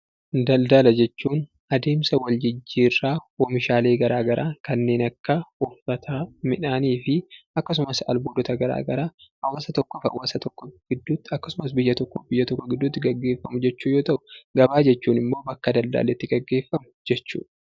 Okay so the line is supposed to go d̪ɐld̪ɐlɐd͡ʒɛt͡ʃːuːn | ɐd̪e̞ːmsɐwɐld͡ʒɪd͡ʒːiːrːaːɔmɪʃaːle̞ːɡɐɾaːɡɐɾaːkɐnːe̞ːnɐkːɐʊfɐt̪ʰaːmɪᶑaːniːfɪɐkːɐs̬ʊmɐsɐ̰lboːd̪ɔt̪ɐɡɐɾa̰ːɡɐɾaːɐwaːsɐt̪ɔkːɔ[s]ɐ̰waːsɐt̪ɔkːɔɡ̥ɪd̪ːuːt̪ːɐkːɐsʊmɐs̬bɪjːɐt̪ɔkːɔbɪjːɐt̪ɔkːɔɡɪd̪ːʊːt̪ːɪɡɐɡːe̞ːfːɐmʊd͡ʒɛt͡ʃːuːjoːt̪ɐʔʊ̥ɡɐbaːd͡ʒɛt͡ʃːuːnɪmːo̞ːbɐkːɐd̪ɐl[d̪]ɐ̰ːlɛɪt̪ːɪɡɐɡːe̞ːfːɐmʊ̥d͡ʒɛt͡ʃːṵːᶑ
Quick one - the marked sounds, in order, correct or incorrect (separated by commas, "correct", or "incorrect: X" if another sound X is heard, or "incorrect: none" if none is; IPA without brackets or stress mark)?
incorrect: f, correct